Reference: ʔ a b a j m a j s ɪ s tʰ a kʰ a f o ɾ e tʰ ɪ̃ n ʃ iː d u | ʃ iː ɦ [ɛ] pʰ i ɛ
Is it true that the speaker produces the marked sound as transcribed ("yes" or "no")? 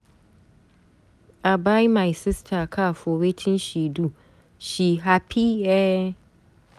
no